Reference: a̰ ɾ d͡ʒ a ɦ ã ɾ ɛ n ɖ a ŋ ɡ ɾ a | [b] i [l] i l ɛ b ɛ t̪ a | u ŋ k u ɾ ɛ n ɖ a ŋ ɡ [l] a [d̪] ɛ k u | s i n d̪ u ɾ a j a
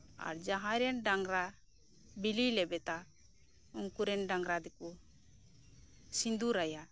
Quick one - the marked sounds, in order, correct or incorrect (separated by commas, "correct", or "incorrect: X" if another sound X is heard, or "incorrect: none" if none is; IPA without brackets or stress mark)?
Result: correct, correct, incorrect: ɾ, correct